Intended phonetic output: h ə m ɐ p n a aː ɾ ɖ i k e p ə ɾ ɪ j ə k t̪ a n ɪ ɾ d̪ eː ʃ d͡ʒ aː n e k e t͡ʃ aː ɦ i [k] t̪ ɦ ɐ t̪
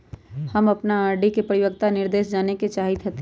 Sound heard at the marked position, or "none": none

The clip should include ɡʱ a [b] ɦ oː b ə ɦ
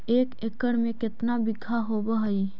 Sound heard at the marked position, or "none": none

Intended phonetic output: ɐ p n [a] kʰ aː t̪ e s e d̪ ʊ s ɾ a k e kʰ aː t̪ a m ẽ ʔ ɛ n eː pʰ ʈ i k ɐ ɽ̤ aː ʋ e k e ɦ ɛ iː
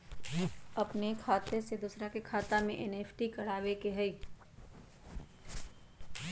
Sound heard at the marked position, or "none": e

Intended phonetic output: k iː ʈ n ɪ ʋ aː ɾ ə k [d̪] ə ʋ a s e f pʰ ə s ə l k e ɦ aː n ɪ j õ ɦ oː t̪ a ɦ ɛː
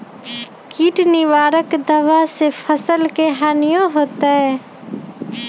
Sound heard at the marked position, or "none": d̪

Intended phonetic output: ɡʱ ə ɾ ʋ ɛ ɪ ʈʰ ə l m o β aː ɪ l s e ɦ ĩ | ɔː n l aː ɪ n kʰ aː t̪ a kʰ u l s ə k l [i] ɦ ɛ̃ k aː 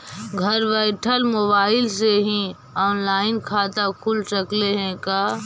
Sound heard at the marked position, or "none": e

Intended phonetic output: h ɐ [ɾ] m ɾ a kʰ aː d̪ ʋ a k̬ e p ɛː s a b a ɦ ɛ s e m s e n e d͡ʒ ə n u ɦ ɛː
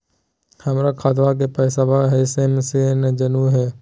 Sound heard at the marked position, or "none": none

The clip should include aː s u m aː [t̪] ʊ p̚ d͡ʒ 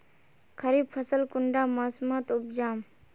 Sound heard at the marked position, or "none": t̪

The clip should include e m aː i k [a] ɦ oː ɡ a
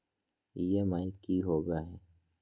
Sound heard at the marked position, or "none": i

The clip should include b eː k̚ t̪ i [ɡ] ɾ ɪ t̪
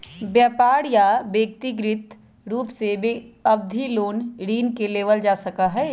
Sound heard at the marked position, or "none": ɡ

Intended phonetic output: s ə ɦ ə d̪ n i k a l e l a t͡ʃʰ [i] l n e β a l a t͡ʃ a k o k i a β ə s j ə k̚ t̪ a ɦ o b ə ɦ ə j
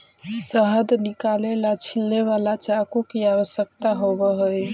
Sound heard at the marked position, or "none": i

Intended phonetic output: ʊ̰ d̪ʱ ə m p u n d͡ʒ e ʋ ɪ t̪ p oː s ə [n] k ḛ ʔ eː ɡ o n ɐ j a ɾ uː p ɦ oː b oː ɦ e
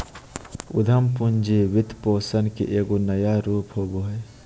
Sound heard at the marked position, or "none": n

